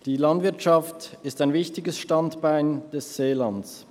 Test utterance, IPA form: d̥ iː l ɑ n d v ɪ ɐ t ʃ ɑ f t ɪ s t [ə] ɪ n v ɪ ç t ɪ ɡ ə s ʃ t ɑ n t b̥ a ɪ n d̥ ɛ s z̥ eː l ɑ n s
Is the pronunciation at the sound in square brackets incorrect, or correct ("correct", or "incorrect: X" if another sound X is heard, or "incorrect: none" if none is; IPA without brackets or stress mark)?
incorrect: a